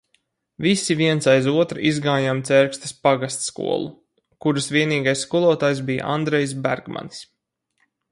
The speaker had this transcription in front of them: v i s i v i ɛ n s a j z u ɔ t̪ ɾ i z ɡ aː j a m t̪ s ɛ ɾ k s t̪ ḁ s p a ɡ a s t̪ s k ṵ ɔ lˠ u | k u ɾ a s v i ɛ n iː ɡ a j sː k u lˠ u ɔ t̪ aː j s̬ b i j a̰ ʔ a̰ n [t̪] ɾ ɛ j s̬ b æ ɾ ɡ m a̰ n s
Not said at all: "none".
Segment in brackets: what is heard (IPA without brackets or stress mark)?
d̪